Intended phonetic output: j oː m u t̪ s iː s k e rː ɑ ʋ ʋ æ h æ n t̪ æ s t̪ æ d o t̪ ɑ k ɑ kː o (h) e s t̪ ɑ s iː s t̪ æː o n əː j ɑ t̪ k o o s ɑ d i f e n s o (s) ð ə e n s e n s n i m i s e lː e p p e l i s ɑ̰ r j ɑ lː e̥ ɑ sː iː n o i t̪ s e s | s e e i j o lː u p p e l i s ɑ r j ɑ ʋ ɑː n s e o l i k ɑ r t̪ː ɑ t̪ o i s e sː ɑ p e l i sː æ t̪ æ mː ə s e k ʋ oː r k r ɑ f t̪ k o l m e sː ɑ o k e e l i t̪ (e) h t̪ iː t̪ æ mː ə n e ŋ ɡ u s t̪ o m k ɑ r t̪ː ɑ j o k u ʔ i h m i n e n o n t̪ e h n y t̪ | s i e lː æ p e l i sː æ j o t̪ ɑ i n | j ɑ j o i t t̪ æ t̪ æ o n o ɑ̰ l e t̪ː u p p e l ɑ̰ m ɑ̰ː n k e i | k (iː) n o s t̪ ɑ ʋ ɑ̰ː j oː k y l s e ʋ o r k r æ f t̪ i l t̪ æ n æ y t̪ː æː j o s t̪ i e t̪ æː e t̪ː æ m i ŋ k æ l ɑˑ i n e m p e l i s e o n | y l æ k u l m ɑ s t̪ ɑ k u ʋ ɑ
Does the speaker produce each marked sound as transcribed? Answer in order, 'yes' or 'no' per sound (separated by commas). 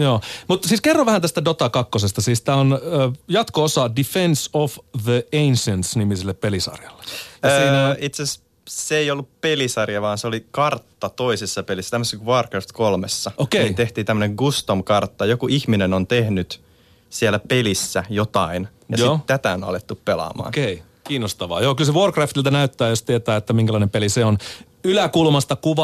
no, no, yes, yes